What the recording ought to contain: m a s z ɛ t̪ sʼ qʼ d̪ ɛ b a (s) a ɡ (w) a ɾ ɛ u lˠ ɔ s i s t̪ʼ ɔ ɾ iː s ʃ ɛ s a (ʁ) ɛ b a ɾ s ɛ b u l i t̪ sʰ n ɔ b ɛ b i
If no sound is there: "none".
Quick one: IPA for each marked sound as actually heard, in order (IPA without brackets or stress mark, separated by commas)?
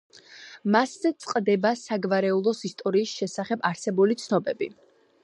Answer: s, v, χ